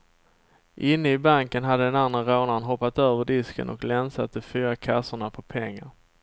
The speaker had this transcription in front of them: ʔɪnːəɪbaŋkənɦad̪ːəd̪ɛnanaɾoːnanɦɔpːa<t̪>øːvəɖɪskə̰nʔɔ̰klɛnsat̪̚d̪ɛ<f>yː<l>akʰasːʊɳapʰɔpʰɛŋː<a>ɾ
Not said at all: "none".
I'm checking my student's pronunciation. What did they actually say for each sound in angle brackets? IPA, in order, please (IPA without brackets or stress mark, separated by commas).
t̪, f, ɾ, a